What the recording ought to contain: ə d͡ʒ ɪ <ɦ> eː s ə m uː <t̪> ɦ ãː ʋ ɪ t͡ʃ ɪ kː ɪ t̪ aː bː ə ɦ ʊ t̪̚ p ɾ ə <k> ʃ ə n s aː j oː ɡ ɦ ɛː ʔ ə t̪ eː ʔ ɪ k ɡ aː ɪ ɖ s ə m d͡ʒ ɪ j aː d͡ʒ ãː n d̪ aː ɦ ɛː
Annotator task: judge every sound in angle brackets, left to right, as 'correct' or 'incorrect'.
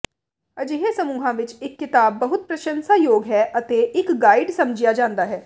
correct, incorrect: none, incorrect: none

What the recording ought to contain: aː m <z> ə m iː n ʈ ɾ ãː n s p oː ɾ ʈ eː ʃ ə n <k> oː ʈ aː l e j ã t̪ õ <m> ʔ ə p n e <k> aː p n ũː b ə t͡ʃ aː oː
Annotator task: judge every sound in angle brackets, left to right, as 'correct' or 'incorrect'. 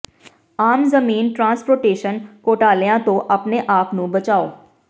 correct, correct, incorrect: none, incorrect: ʔ

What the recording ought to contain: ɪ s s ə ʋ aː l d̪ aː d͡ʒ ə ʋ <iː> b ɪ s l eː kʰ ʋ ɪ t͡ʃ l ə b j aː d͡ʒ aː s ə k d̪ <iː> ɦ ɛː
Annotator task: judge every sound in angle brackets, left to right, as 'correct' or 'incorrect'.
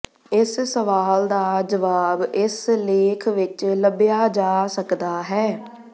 incorrect: aː, incorrect: aː

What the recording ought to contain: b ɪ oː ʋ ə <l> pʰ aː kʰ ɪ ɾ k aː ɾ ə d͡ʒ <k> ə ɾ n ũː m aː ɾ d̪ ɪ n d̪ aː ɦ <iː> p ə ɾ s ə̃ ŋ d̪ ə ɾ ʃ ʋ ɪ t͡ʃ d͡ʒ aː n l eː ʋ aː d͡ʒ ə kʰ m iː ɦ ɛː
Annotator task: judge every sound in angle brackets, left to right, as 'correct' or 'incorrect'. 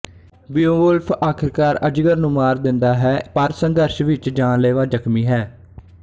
correct, incorrect: ɡ, incorrect: ɛː

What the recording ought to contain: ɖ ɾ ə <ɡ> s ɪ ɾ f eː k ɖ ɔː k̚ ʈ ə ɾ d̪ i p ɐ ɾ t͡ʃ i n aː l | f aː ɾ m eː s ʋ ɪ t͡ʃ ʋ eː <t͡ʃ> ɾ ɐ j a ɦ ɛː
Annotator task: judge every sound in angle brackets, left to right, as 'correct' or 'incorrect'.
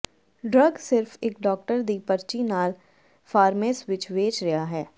correct, correct

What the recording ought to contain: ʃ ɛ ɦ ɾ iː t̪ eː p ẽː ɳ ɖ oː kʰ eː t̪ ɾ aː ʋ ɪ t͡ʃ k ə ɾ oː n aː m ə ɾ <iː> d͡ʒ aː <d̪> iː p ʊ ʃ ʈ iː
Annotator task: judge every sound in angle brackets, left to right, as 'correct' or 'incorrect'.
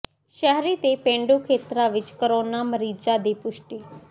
correct, correct

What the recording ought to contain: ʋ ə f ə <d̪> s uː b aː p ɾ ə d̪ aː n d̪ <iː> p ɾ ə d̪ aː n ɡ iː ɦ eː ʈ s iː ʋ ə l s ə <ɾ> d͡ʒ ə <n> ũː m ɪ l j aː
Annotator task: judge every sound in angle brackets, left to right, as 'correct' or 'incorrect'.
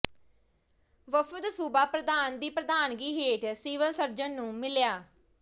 correct, correct, correct, incorrect: nː

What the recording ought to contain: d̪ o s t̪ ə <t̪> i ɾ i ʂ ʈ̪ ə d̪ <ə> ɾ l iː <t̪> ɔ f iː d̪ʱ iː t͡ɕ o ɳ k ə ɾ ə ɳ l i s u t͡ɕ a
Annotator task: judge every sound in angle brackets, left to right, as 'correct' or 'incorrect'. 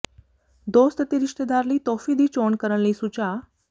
correct, incorrect: a, correct

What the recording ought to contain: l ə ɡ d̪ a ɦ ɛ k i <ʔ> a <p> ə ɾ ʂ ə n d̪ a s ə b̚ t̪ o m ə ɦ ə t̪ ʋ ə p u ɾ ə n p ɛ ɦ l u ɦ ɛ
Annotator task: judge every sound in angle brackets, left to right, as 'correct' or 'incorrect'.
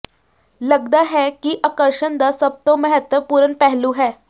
correct, incorrect: k

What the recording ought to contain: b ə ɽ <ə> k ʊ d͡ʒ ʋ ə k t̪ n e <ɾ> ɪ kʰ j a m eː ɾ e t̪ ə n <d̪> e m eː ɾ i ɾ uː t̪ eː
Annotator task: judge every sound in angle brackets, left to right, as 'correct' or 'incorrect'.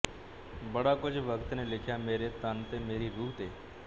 incorrect: a, incorrect: l, incorrect: t̪

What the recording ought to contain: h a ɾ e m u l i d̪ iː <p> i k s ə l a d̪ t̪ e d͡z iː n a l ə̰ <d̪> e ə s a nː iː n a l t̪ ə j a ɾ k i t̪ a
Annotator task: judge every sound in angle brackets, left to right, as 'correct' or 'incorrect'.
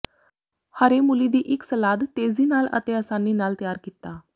incorrect: ʔ, incorrect: t̪

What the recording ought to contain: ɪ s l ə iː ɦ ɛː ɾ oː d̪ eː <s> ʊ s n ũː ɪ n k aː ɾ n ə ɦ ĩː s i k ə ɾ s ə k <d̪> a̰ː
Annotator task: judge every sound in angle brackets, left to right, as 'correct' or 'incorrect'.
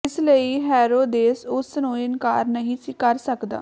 correct, correct

